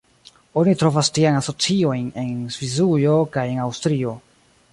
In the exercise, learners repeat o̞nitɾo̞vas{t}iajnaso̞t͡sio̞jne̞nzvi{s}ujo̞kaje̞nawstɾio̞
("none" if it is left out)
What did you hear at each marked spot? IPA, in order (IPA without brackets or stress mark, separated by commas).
t, z